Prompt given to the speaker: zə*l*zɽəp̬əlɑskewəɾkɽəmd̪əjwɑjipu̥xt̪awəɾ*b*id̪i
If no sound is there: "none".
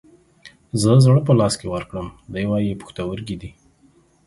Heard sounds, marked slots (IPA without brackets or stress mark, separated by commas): none, ɡ